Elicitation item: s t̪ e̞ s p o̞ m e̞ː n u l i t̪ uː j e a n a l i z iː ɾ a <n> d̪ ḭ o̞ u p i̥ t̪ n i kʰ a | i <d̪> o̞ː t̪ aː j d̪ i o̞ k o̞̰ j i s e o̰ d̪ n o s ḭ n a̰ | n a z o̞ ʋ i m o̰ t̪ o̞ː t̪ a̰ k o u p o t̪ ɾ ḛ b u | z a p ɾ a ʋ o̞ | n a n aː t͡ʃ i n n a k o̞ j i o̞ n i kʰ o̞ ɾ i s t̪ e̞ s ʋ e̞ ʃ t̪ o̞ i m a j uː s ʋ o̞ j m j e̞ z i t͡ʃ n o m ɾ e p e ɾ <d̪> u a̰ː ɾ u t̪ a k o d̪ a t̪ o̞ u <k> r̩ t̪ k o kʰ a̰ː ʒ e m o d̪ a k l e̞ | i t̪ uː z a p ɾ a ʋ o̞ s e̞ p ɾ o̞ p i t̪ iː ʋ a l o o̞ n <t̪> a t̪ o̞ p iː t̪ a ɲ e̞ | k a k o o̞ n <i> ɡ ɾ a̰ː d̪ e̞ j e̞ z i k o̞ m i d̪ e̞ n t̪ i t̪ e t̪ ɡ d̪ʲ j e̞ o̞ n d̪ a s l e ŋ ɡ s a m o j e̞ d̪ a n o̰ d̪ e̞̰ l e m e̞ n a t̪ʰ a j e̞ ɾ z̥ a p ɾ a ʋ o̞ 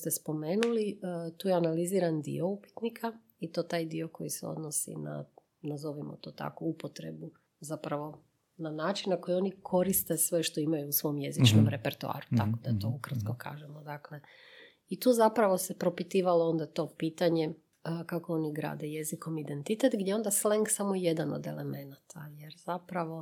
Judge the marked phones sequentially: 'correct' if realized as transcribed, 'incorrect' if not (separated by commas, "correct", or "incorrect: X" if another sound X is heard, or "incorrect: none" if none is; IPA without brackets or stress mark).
correct, incorrect: t̪, incorrect: t̪, correct, incorrect: d̪, correct